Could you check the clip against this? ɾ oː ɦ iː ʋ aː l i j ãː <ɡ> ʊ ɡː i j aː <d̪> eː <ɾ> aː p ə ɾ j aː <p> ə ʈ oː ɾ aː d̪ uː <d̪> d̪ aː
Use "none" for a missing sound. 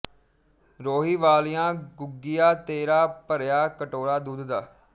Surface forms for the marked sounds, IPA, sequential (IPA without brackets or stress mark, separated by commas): ɡ, t̪, ɾ, k, d̪